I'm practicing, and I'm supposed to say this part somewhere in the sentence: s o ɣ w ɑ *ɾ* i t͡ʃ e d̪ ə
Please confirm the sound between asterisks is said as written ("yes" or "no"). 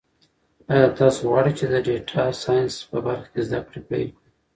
no